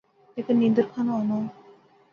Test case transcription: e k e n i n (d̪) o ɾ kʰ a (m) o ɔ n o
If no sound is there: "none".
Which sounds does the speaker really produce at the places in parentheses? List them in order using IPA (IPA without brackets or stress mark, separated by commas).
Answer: d̪, n